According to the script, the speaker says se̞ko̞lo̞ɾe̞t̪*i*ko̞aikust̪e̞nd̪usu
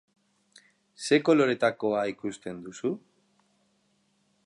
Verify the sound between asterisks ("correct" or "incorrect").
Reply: incorrect